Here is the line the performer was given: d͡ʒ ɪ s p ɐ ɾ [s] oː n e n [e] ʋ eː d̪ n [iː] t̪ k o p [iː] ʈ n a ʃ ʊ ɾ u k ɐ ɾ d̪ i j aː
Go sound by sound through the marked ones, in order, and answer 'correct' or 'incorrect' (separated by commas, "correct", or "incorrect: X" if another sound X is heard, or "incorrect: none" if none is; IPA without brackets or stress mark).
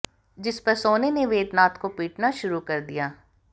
correct, correct, incorrect: aː, correct